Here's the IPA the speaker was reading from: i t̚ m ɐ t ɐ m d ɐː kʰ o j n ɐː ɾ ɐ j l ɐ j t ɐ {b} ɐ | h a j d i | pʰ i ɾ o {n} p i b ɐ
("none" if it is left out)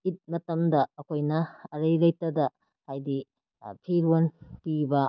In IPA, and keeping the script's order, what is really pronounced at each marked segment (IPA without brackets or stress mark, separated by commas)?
d, n